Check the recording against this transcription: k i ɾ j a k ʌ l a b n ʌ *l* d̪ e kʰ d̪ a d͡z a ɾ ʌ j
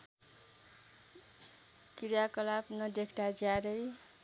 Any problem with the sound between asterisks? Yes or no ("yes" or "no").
yes